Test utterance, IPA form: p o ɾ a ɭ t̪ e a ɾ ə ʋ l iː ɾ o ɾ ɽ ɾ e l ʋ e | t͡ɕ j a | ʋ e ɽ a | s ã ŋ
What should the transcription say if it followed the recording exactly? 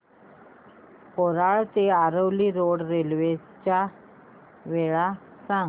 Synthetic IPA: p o ɾ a ɭ t̪ e a ɾ ə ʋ l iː ɾ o ɽ ɾ e l ʋ e | t͡ɕ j a | ʋ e ɭ a | s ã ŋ